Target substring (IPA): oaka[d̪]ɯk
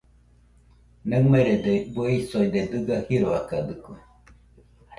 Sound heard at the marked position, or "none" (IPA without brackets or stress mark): d̪